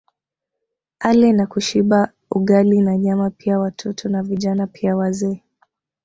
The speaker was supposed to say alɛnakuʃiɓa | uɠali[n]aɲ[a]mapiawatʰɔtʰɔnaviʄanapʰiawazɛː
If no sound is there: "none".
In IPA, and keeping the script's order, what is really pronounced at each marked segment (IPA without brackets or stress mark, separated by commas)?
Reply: n, a